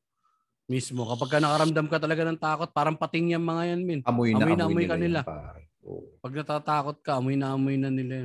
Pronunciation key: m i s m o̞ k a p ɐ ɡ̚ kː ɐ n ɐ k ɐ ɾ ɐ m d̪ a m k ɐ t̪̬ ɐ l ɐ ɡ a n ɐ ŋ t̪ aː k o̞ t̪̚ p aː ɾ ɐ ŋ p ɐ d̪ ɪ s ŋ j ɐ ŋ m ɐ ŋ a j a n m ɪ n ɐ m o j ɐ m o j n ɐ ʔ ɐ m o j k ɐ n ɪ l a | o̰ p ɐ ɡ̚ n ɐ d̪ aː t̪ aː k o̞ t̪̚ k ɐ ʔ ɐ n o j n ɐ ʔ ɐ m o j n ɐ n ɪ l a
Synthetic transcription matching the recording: m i s m o̞ k ɐ p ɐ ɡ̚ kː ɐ n ɐ k ɐ ɾ ɐ m d̪ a m k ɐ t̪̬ ɐ l ɐ ɡ a n ɐ ŋ t̪ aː k o̞ t̪̚ p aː ɾ ɐ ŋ p ɐ t̪ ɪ ŋ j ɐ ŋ m ɐ ŋ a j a n m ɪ n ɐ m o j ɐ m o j n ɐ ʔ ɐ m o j k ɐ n ɪ l a | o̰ p ɐ ɡ̚ n ɐ t̪ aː t̪ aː k o̞ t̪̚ k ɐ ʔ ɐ m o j n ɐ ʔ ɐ m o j n ɐ n ɪ l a